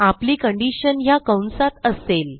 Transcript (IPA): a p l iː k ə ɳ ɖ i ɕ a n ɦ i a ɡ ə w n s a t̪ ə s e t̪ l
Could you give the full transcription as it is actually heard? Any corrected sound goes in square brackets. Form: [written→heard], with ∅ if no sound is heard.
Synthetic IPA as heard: a p l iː k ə ɳ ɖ i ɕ [a→ə] n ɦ [i→j] a [ɡ→k] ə w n s a t̪ ə s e [t̪→∅] l